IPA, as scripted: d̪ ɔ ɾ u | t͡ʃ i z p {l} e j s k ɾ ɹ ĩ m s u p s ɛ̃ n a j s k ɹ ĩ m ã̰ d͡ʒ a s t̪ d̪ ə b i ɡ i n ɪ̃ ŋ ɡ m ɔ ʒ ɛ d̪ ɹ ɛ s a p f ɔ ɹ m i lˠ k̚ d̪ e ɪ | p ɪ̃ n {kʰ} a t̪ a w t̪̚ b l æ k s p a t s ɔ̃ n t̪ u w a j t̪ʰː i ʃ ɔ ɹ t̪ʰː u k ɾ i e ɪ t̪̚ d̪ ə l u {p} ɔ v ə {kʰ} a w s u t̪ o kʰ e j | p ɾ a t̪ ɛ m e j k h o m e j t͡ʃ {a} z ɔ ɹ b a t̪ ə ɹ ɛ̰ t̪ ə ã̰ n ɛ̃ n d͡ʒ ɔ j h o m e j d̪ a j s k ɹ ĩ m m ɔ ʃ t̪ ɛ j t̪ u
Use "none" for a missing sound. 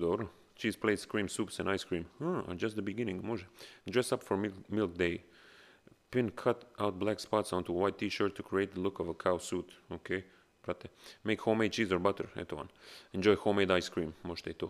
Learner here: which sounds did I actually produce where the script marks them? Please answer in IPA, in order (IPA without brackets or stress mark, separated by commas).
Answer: l, kʰ, k, kʰ, i